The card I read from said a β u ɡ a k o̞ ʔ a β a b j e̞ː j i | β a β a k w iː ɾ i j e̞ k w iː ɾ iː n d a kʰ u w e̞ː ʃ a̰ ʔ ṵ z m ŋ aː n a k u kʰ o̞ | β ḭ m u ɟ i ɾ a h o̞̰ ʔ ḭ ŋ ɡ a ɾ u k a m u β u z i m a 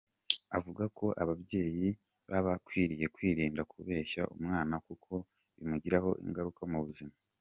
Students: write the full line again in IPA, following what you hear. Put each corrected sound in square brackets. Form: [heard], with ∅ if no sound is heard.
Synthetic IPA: a [v] u ɡ a k o̞ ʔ a β a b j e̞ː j i | β a β a k w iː ɾ i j e̞ k w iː ɾ iː n d a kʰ u [β] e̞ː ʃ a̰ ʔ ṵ [∅] m ŋ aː n a k u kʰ o̞ | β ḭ m u ɟ i ɾ a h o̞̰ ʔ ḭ ŋ ɡ a ɾ u k a m u β u z i m a